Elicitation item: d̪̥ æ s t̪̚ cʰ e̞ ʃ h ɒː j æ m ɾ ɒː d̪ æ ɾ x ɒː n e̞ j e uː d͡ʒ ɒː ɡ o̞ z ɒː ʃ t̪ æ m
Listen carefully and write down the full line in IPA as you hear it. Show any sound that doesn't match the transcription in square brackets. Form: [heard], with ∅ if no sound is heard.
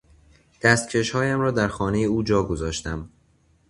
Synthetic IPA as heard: d̪̥ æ s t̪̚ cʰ e̞ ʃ h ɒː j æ m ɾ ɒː d̪ æ ɾ x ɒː n e̞ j e uː d͡ʒ ɒː ɡ o̞ z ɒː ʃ t̪ æ m